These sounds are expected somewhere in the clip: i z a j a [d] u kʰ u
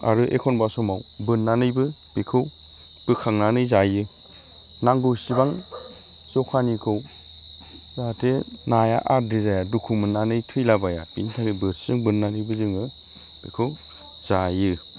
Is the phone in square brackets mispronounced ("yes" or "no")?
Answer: no